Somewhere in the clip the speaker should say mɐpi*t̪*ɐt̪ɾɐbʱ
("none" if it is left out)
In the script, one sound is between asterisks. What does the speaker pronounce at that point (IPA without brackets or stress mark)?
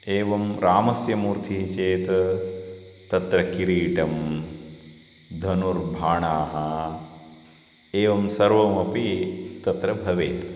t̪